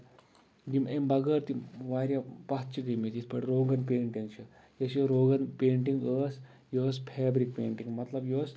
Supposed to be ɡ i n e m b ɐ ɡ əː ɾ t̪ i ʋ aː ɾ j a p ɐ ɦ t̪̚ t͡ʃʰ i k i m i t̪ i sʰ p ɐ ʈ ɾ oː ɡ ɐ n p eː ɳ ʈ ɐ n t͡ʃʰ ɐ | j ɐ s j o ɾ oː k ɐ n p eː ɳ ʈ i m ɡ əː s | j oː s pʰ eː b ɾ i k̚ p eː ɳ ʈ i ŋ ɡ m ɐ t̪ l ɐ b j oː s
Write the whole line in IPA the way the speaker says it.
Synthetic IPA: ɡ i m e m b ɐ ɡ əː ɾ t̪ i ʋ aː ɾ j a p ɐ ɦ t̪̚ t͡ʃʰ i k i m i t̪ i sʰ p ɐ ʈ ɾ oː ɡ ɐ n p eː ɳ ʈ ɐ n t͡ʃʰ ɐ | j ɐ s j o ɾ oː ɡ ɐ n p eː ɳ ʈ i ŋ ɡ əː s | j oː s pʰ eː b ɾ i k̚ p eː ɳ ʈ i ŋ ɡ m ɐ t̪ l ɐ b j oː s